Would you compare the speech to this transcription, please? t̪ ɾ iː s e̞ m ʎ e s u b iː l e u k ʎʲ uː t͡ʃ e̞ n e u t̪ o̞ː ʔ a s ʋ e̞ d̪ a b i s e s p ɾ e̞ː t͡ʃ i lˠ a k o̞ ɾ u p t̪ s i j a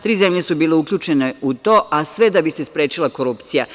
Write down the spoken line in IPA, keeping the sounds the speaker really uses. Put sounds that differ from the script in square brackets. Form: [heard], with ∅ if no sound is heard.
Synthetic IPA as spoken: t̪ ɾ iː [z] e̞ m ʎ e s u b iː l e u k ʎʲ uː t͡ʃ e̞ n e u t̪ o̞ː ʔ a s ʋ e̞ d̪ a b i s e s p ɾ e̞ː t͡ʃ i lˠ a k o̞ ɾ u p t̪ s i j a